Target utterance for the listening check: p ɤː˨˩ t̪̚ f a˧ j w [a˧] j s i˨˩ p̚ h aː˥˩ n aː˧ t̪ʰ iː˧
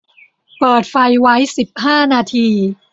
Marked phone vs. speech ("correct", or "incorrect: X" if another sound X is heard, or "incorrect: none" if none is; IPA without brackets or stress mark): incorrect: a˦˥